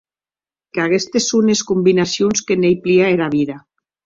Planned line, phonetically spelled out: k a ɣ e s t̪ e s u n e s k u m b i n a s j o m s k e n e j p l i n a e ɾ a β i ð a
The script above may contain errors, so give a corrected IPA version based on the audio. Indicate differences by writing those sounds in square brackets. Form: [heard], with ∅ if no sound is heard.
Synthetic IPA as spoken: k a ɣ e s t̪ e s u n e s k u m b i n a s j o [n] s k e n e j p l i [∅] a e ɾ a β i ð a